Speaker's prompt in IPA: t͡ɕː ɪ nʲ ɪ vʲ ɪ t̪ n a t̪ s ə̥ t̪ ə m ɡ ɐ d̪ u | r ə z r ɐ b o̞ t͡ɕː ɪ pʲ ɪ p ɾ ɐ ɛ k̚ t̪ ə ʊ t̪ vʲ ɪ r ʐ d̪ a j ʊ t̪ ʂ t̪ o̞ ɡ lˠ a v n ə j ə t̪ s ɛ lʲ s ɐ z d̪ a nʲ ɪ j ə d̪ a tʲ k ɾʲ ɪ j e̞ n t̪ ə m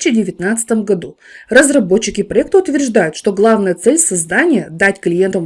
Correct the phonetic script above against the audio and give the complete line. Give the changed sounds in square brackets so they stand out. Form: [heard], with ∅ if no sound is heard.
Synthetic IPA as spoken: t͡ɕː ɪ [dʲ] ɪ vʲ ɪ t̪ n a t̪ s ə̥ t̪ ə m ɡ ɐ d̪ u | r ə z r ɐ b o̞ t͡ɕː ɪ [kʲ] ɪ p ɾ ɐ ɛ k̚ t̪ ə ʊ t̪ vʲ ɪ r ʐ d̪ a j ʊ t̪ ʂ t̪ o̞ ɡ lˠ a v n ə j ə t̪ s ɛ lʲ s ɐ z d̪ a nʲ ɪ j ə d̪ a tʲ k [lʲ] ɪ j e̞ n t̪ ə m

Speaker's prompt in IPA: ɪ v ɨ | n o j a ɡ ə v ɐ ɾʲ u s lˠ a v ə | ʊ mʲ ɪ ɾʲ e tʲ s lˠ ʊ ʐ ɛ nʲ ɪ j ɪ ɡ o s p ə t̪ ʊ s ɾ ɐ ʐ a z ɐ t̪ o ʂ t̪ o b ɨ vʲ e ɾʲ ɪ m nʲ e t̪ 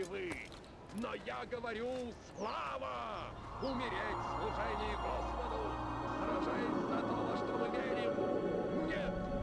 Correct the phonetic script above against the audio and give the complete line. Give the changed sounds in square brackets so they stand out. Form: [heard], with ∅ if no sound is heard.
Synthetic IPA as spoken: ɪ v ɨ | n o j a ɡ ə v ɐ ɾʲ u s lˠ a v ə | ʊ mʲ ɪ ɾʲ e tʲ s lˠ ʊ ʐ ɛ nʲ ɪ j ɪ ɡ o s p ə [d̪] ʊ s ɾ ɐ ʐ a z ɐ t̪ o ʂ t̪ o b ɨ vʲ e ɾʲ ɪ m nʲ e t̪

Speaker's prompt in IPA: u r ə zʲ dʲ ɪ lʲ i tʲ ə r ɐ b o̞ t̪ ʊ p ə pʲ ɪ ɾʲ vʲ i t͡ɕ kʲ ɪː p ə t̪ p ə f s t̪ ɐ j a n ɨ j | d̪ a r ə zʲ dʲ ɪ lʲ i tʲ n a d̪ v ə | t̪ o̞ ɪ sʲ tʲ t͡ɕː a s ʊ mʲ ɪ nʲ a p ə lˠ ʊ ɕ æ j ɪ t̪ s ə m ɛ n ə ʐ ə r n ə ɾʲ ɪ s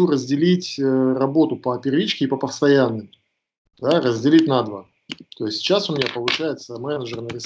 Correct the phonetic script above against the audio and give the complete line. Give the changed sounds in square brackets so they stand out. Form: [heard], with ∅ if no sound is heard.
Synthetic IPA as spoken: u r ə zʲ dʲ ɪ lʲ i tʲ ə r ɐ b o̞ t̪ ʊ p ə pʲ ɪ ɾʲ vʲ i t͡ɕ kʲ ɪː p ə [∅] p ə f s t̪ ɐ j a [nː] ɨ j | d̪ a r ə zʲ dʲ ɪ lʲ i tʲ n a d̪ v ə | t̪ o̞ ɪ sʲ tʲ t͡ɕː a s ʊ mʲ ɪ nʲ a p ə lˠ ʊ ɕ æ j ɪ t̪ s ə m ɛ n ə ʐ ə r n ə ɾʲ ɪ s

